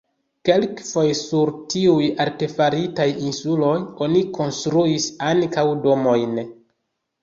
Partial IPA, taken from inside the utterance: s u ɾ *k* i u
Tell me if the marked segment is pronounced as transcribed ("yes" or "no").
no